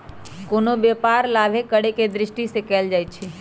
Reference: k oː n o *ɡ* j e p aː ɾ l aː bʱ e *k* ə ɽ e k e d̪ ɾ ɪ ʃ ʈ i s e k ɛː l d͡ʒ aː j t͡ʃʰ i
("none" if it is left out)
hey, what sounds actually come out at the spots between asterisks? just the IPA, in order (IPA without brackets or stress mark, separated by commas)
b, k